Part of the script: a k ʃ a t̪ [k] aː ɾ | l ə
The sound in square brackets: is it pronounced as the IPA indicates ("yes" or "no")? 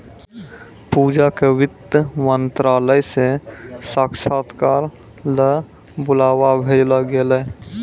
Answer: yes